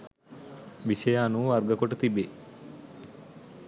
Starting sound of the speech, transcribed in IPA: ʋ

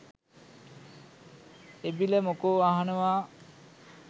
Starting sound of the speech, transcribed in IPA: e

